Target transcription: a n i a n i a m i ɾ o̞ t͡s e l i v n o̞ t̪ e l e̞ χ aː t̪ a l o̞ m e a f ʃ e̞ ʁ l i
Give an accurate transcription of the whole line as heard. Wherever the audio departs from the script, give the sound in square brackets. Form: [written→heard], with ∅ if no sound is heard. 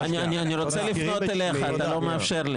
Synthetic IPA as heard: a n i a n i a [m→n] i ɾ o̞ t͡s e l i [v→f] n o̞ t̪ e l e̞ χ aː t̪ a l o̞ m e a f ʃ e̞ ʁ l i